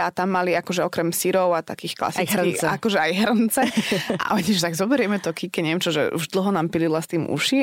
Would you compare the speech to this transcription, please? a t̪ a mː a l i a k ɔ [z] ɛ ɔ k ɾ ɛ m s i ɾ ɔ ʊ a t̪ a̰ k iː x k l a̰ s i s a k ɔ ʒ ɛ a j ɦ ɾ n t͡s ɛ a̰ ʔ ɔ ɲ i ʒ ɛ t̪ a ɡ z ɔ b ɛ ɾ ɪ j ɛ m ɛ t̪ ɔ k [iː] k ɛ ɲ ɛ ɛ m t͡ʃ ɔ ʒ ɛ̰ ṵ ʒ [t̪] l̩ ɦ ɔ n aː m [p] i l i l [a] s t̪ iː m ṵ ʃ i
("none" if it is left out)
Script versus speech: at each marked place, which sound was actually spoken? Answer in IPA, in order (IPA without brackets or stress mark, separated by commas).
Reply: ʒ, i, d̪, p, a